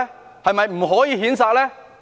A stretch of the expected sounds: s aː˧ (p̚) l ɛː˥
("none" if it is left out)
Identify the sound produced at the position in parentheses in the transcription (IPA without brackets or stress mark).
k̚